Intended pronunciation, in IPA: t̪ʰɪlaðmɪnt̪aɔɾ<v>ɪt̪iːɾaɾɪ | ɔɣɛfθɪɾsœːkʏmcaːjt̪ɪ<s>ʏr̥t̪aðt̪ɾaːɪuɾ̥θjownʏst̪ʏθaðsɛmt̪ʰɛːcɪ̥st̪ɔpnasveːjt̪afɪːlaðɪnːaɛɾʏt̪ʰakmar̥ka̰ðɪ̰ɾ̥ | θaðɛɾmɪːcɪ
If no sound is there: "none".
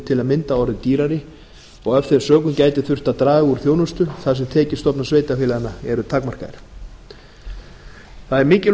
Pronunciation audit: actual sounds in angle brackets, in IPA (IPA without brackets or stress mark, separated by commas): ð, θ